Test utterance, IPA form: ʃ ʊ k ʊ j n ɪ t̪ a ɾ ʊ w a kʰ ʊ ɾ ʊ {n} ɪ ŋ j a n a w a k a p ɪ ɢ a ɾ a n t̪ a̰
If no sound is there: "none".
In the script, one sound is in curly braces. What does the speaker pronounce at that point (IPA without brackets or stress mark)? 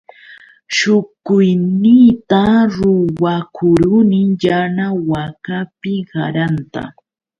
n